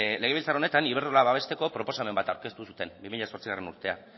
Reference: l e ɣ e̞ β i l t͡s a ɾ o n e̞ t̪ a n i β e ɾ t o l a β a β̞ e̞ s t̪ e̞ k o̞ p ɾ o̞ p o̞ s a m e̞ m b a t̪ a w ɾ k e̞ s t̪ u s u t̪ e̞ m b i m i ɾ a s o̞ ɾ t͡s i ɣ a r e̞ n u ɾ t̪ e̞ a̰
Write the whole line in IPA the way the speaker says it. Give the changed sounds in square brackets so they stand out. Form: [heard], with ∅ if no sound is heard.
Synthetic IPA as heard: l e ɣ e̞ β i l t͡s a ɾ o n e̞ t̪ a n i β e ɾ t o l a β a β̞ e̞ s t̪ e̞ k o̞ p ɾ o̞ p o̞ s a m e̞ m b a t̪ a w ɾ k e̞ s t̪ u s u t̪ e̞ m b i m i [ʎ] a s o̞ ɾ t͡s i ɣ a r e̞ n u ɾ t̪ e̞ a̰